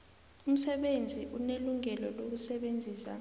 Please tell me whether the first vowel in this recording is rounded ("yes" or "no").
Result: yes